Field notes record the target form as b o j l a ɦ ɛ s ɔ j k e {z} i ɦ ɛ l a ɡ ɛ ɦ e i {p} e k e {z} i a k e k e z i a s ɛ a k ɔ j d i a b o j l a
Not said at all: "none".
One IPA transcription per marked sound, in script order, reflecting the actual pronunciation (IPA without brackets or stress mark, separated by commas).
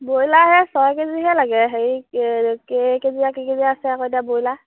z, k, z